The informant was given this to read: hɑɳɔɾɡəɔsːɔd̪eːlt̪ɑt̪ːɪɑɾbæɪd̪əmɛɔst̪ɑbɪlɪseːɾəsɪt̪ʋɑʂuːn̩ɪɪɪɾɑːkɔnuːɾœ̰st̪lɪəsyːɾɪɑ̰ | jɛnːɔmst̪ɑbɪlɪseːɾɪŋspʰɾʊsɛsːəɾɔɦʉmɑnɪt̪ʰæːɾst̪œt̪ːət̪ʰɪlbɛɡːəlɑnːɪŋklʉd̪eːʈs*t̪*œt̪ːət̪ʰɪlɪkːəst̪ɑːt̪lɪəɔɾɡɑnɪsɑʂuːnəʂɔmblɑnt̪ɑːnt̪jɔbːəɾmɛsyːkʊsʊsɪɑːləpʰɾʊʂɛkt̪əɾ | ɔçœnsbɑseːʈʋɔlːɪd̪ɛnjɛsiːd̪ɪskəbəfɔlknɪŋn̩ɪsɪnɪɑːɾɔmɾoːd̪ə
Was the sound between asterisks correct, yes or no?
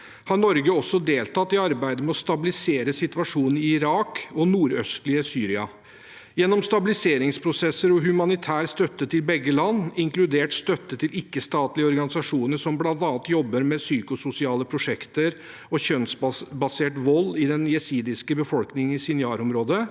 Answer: yes